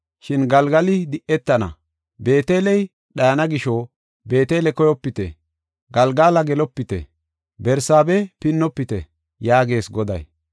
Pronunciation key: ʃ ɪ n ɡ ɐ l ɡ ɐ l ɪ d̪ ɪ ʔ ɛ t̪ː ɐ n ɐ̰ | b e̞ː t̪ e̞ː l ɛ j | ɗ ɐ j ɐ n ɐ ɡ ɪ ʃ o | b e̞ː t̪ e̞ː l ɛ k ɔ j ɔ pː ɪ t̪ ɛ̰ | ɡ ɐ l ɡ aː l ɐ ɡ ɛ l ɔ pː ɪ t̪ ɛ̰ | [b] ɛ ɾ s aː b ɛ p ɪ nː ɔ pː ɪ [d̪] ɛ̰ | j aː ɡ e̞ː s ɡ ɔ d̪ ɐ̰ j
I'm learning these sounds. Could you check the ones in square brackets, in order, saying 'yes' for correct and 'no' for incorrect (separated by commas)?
yes, no